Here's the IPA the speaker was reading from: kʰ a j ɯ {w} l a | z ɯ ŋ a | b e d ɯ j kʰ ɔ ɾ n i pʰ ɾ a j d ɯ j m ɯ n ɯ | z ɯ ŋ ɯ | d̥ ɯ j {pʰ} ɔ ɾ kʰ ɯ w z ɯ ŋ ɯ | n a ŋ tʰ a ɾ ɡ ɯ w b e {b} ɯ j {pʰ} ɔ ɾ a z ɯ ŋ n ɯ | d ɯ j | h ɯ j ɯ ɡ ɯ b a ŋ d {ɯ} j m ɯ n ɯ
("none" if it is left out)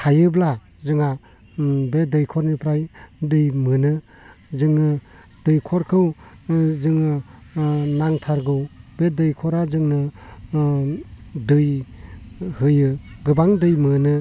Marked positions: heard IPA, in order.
b, kʰ, d, kʰ, ɯ

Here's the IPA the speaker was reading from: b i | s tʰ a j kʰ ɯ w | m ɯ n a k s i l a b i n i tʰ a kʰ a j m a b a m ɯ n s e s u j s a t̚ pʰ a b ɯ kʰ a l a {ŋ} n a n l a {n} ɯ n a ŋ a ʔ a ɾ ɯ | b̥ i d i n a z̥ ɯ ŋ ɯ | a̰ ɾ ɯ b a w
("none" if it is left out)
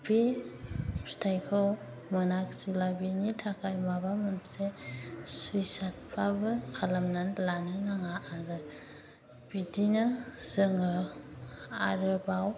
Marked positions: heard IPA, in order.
m, n

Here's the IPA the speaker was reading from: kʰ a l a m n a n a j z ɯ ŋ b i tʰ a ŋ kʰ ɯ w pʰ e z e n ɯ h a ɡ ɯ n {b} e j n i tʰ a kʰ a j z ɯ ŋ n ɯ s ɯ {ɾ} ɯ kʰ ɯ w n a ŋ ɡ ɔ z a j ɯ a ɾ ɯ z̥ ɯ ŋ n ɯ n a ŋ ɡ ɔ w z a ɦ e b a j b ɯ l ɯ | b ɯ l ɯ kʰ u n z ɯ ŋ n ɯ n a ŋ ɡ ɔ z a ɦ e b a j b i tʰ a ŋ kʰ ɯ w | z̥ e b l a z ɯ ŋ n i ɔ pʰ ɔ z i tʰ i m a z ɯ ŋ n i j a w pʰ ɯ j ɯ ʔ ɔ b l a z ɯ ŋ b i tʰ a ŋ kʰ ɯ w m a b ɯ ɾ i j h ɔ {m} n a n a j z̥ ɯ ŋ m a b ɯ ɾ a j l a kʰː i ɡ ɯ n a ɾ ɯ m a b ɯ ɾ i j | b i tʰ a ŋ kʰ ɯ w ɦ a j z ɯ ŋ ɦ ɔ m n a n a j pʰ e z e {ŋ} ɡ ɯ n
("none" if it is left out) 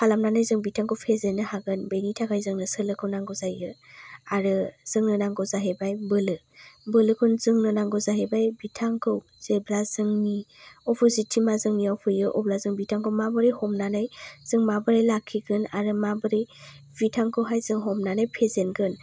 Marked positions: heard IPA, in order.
b, l, m, n

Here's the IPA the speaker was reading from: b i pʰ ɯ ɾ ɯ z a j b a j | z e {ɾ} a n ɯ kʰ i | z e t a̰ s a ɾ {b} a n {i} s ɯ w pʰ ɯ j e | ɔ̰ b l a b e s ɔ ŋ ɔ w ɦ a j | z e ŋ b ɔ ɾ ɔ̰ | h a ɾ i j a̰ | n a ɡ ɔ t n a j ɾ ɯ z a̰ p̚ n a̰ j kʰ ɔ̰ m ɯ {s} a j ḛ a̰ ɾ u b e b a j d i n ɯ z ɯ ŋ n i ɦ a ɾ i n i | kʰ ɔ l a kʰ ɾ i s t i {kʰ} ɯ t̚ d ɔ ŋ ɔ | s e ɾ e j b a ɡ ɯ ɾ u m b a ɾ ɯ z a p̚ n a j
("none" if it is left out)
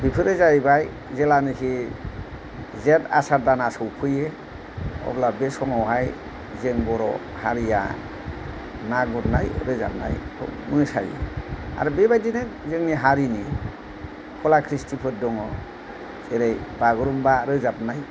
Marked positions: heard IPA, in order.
l, d, a, s, pʰ

